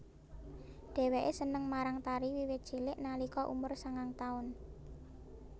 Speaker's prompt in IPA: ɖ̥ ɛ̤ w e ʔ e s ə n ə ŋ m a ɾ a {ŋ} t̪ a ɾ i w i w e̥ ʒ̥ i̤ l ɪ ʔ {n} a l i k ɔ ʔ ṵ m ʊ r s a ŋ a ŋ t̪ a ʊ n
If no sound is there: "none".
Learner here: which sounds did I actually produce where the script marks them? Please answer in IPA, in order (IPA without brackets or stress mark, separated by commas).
ŋ, n